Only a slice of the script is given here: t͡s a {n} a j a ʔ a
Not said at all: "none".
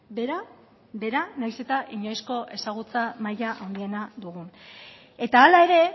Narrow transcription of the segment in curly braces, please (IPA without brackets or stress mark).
m